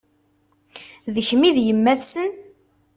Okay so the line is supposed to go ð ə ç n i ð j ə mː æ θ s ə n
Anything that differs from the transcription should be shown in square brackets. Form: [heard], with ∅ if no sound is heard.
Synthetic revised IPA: ð ə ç [m] i ð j ə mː æ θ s ə n